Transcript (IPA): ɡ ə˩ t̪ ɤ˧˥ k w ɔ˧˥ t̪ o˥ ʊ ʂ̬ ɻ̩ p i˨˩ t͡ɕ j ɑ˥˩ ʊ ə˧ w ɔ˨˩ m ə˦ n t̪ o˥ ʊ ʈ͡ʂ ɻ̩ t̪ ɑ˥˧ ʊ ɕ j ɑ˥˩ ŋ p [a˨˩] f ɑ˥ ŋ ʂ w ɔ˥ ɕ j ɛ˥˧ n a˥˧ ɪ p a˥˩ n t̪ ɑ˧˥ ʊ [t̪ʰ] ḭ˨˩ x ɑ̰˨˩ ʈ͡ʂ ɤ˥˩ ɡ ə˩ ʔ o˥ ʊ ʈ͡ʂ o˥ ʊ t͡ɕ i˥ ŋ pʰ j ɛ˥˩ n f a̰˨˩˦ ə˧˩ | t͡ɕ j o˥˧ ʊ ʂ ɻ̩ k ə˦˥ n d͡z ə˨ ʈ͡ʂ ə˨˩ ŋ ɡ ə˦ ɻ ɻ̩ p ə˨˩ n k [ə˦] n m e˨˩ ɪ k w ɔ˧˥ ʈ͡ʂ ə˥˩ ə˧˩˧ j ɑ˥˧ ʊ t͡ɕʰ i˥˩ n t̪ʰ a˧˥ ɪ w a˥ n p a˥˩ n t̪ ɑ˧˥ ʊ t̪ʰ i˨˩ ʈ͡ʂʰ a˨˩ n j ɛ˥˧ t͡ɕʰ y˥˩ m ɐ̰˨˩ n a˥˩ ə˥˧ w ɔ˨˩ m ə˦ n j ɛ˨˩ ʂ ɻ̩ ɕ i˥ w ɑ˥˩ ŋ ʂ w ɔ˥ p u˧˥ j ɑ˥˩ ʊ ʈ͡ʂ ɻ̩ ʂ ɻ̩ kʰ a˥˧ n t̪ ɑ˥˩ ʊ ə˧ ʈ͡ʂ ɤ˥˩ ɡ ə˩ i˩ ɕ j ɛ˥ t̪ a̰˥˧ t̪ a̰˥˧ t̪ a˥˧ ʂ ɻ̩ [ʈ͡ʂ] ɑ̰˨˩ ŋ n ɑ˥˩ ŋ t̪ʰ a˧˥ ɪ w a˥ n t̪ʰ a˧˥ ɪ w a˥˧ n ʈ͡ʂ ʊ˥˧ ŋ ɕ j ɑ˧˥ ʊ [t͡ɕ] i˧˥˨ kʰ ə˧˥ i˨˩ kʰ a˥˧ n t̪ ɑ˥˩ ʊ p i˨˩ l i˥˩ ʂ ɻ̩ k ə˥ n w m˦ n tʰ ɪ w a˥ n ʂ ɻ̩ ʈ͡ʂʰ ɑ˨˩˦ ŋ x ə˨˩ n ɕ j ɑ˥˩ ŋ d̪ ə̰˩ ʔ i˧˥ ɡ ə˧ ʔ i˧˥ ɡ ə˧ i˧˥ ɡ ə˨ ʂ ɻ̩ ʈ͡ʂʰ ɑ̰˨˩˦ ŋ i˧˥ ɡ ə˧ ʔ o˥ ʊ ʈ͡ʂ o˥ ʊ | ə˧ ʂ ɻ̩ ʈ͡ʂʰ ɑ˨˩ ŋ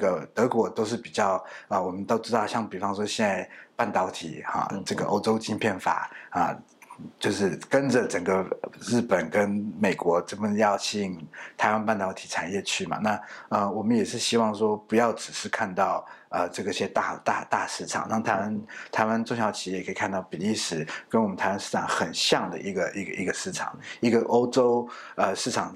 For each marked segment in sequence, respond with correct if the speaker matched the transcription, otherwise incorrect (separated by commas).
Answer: incorrect, correct, correct, incorrect, incorrect